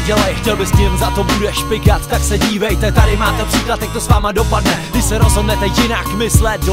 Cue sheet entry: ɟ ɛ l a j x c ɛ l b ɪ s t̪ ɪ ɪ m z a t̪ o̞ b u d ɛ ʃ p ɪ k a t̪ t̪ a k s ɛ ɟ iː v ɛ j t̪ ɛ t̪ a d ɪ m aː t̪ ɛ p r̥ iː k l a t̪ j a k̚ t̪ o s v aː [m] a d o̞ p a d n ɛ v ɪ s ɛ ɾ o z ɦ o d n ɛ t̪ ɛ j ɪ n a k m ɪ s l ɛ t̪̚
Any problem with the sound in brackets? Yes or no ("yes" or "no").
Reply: no